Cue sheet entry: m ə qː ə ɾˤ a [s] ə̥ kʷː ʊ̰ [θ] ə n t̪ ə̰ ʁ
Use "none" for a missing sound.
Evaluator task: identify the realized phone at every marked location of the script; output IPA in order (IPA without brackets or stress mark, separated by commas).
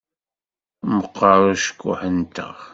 ʃ, ħ